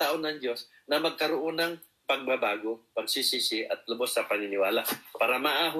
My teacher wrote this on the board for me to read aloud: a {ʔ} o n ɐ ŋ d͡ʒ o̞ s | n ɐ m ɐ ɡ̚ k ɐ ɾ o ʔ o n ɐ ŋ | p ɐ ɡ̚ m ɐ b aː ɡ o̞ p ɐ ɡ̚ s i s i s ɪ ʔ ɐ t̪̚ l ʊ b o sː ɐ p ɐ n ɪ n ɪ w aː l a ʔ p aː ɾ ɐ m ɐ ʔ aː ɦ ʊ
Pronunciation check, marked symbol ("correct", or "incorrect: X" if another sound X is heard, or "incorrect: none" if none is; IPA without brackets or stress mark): correct